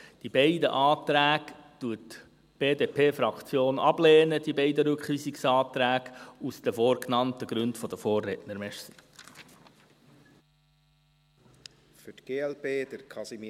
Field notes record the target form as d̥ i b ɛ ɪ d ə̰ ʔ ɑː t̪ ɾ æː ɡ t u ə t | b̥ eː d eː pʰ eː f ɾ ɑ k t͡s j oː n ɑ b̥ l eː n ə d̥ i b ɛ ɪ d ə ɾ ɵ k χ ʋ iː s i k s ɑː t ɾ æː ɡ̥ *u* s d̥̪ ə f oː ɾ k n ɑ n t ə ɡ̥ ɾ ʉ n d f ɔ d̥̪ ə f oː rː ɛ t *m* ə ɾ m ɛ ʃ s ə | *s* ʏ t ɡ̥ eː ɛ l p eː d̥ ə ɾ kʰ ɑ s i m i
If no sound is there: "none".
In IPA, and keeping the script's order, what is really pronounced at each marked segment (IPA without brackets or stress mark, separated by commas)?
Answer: u, n, f